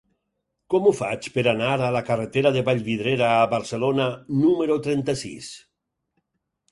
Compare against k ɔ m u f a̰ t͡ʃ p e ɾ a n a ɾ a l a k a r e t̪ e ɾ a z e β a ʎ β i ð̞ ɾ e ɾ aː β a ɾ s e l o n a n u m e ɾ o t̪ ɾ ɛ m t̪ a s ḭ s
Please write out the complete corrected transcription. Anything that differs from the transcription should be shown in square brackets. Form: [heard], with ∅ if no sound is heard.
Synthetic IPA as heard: k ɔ m u f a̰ t͡ʃ p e ɾ a n a ɾ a l a k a r e t̪ e ɾ a [ð] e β a ʎ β i ð̞ ɾ e ɾ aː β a ɾ s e l o n a n u m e ɾ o t̪ ɾ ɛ [n] t̪ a s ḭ s